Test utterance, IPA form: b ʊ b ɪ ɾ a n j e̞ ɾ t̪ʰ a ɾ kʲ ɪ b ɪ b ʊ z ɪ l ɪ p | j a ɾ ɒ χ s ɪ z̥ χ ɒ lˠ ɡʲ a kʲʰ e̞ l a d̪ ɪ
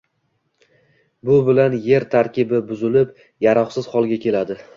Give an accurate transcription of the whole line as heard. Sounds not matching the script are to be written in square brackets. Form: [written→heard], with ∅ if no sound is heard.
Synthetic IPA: b ʊ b ɪ [ɾ→l] a n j e̞ ɾ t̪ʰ a ɾ kʲ ɪ b ɪ b ʊ z ɪ l ɪ p | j a ɾ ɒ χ s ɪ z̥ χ ɒ lˠ ɡʲ a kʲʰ e̞ l a d̪ ɪ